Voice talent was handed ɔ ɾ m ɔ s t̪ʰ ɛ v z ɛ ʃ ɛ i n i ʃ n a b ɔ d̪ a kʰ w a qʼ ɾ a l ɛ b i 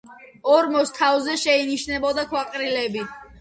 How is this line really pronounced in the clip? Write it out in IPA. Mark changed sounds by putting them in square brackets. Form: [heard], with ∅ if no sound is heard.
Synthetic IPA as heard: ɔ ɾ m ɔ s t̪ʰ [a] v z ɛ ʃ ɛ i n i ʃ n [ɛ] b ɔ d̪ a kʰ w a qʼ ɾ [i] l ɛ b i